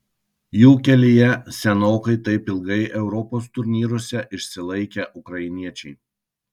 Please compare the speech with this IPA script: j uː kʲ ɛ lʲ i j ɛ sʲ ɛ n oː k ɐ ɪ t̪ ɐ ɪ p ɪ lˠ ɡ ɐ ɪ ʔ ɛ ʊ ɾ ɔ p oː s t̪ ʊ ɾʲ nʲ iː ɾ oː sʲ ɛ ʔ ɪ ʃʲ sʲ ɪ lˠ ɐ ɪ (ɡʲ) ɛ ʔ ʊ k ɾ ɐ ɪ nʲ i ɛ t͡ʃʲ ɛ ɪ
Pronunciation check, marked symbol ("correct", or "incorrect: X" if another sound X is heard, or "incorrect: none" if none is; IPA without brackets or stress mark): incorrect: kʲ